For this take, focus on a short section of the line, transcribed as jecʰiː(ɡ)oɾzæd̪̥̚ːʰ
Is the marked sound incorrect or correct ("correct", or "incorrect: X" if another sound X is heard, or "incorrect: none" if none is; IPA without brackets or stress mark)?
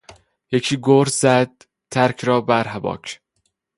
correct